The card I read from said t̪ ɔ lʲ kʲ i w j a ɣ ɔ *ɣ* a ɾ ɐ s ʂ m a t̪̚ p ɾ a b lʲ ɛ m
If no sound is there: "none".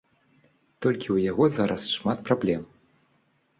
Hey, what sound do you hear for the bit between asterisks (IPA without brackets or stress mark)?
z